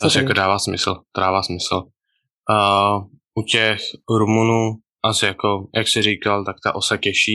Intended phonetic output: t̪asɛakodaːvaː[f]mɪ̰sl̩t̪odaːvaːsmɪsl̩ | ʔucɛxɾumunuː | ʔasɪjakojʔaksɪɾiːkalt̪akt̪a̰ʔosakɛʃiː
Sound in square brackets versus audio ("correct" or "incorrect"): incorrect